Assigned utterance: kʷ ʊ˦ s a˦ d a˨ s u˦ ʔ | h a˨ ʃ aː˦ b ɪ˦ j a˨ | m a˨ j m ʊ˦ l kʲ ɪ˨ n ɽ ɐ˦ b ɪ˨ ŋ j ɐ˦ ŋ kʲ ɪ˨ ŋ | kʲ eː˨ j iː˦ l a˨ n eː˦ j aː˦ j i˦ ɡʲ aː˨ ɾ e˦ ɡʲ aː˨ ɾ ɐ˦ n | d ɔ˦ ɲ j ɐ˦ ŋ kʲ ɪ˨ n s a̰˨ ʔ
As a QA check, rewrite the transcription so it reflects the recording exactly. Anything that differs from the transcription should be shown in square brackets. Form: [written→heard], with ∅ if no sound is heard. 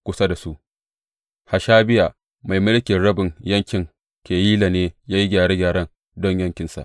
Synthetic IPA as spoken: kʷ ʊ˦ s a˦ d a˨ s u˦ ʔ | h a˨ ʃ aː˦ b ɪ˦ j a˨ | m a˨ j m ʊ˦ l kʲ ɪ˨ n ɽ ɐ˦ b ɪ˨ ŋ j ɐ˦ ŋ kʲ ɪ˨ ŋ | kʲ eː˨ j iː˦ l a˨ n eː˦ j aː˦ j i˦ ɡʲ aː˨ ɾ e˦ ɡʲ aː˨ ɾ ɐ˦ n | d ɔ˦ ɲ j ɐ˦ ŋ kʲ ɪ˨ n s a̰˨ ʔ